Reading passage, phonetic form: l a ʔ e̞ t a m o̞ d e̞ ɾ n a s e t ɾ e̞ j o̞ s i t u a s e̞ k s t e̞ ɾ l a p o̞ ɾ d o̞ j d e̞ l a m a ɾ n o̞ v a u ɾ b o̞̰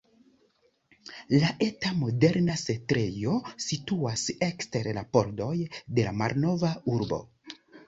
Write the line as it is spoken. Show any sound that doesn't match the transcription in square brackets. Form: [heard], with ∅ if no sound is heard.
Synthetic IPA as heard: l a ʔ e̞ t a m o̞ d e̞ ɾ n a s e t ɾ e̞ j o̞ s i t u a s e̞ k s t e̞ ɾ l a p o̞ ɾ d o̞ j d e̞ l a m a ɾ n o̞ v a u ɾ b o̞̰